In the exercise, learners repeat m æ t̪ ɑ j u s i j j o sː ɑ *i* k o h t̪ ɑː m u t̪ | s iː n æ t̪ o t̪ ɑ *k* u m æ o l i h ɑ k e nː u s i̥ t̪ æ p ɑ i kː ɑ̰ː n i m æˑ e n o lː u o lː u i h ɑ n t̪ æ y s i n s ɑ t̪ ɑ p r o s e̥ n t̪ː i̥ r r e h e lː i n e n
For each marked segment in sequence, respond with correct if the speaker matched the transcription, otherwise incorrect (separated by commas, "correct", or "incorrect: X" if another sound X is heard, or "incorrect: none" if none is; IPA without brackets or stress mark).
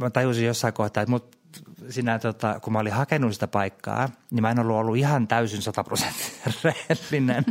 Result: correct, correct